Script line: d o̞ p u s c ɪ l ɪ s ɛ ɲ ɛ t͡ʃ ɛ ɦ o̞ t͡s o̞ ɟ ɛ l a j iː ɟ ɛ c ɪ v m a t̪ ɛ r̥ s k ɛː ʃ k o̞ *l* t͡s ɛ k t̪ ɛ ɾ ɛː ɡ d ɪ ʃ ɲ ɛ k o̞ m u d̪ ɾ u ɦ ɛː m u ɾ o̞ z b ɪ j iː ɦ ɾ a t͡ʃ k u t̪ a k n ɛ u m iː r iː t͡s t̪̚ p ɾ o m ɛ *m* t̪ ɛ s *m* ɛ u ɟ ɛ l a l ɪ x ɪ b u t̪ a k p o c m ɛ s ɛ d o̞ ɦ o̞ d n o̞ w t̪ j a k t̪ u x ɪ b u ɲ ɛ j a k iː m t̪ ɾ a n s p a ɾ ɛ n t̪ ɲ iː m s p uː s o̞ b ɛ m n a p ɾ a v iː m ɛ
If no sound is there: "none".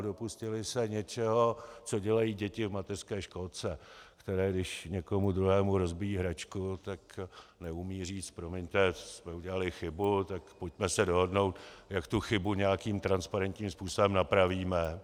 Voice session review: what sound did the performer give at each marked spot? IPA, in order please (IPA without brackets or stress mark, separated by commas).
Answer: l, ɲ, m